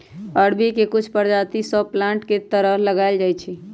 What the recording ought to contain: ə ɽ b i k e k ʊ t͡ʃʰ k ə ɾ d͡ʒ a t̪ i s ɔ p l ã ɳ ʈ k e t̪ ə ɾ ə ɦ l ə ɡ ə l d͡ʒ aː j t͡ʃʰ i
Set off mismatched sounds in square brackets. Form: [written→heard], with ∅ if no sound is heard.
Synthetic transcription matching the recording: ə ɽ b i k e k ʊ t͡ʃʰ [k→p] ə ɾ d͡ʒ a t̪ i s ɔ p l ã ɳ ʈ k e t̪ ə ɾ ə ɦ l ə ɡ [ə→a] l d͡ʒ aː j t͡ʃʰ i